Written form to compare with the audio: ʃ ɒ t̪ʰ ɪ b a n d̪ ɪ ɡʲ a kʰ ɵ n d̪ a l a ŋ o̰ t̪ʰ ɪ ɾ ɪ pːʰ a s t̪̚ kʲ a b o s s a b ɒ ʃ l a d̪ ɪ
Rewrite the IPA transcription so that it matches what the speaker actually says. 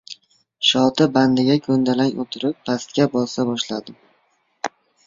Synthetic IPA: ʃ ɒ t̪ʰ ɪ b a n d̪ ɪ ɡʲ a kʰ ɵ n d̪ a l a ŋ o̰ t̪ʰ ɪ ɾ ɪ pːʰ a s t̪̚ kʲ a b ɒ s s a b ɒ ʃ l a d̪ ɪ